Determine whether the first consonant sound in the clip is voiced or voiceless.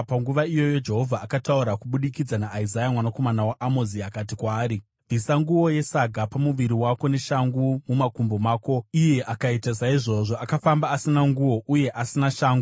voiceless